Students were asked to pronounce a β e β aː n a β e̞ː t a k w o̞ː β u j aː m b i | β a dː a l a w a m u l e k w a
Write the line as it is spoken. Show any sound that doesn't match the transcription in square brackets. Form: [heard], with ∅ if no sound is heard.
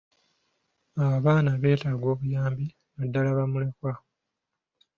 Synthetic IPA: a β [a] β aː n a β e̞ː t a [ɡ] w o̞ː β u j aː m b i | β a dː a l a [β] a m u l e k w a